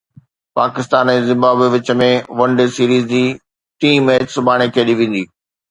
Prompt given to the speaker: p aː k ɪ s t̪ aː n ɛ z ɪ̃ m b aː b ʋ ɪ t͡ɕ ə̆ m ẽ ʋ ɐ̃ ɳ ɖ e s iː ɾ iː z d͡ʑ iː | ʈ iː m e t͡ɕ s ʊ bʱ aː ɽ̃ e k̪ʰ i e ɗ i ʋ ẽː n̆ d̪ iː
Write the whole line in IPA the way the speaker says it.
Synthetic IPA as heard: p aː k ɪ s t̪ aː n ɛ z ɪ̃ m b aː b ʋ ɪ t͡ɕ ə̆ m ẽ ʋ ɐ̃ ɳ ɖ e s iː ɾ iː z d͡ʑ iː | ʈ iː m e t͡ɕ s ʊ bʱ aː ɽ̃ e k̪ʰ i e ɗ i ʋ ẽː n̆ d̪ iː